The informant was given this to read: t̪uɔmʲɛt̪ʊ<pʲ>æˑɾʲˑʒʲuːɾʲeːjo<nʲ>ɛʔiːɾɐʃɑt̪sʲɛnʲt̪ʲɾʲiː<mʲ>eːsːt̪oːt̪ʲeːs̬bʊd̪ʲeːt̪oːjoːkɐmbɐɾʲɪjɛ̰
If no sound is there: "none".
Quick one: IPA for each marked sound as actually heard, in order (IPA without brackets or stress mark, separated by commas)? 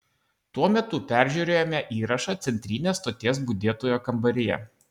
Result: pʲ, mʲ, nʲ